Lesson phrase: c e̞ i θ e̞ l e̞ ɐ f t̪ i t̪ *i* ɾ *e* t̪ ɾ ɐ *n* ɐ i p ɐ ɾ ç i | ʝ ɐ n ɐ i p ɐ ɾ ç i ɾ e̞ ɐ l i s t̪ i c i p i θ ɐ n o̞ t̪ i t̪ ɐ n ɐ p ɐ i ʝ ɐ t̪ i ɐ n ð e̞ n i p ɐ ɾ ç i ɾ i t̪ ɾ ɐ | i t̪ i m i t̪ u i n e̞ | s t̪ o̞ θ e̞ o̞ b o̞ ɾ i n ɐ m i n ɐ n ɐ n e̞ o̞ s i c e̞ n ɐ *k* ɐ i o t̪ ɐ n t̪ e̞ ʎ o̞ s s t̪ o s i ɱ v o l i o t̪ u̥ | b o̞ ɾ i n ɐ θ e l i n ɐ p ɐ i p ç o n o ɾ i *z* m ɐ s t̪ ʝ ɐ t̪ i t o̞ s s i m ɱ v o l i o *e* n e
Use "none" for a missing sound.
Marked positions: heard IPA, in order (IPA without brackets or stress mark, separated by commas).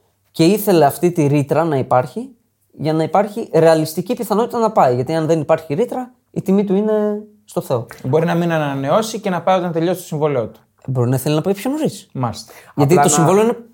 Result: i, i, n, p, s, i